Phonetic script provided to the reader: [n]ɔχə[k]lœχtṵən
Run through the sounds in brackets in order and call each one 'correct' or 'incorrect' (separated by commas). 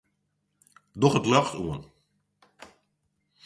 incorrect, incorrect